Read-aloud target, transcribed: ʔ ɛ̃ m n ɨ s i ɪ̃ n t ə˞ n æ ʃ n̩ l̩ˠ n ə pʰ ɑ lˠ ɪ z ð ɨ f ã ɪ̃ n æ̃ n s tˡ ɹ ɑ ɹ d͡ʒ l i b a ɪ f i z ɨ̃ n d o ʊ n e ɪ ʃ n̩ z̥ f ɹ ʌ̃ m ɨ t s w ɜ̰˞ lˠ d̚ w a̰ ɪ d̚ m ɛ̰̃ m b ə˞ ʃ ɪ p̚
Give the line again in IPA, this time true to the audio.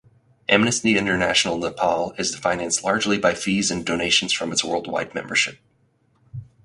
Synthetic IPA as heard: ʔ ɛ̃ m n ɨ s i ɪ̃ n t ə˞ n æ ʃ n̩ l̩ˠ n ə pʰ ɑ lˠ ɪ z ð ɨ f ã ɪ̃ n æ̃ n s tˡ l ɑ ɹ d͡ʒ l i b a ɪ f i z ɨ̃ n d o ʊ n e ɪ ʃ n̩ z̥ f ɹ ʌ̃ m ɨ t s w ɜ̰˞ lˠ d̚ w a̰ ɪ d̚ m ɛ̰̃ m b ə˞ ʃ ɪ p̚

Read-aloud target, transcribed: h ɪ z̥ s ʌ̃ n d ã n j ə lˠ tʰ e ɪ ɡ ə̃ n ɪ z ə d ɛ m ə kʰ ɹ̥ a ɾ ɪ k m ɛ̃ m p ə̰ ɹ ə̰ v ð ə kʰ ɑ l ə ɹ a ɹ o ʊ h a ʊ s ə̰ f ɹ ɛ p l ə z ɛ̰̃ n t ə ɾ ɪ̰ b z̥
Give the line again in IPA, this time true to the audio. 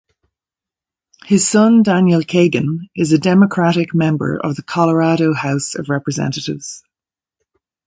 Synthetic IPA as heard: h ɪ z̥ s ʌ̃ n d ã n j ə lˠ kʰ e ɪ ɡ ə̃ n ɪ z ə d ɛ m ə kʰ ɹ̥ a ɾ ɪ k m ɛ̃ m b ə̰ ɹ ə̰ v ð ə kʰ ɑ l ə ɹ a ɾ o ʊ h a ʊ s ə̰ v ɹ ɛ p ɹ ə z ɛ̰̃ n t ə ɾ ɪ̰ v z̥

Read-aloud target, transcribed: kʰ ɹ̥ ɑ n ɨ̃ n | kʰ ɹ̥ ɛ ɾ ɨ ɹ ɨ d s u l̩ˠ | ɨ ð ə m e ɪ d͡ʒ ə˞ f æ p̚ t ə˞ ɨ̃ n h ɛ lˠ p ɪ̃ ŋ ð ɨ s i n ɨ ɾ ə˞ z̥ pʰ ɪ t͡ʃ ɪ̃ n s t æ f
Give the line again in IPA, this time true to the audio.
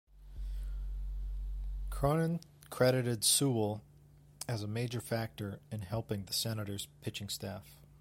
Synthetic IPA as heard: kʰ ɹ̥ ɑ n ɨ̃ n | kʰ ɹ̥ ɛ ɾ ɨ ɾ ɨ d s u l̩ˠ | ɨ z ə m e ɪ d͡ʒ ə˞ f æ k̚ t ə˞ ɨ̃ n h ɛ lˠ p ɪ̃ ŋ ð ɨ s ɛ n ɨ ɾ ə˞ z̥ pʰ ɪ t͡ʃ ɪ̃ ŋ s t æ f

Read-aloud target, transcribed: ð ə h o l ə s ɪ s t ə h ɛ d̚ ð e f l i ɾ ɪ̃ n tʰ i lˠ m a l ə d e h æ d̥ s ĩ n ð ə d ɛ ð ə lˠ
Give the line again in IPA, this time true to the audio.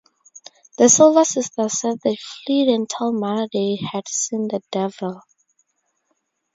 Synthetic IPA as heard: ð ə s o l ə s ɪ s t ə s ɛ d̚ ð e f l i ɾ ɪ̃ n tʰ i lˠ m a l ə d e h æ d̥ s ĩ n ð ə d ɛ v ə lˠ

